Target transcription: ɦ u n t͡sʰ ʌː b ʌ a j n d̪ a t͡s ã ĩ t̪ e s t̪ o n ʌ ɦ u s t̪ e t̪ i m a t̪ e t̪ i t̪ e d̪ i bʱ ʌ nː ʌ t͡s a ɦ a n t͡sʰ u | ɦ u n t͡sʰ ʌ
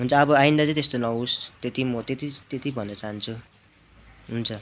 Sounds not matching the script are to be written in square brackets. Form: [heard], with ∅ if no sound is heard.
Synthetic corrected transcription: ɦ u n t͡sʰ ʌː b ʌ a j n d̪ a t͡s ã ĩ t̪ e s t̪ o n ʌ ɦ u s t̪ e t̪ i m [ʌ] t̪ e t̪ i t̪ e [t̪] i bʱ ʌ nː ʌ t͡s a ɦ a n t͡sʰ u | ɦ u n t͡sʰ ʌ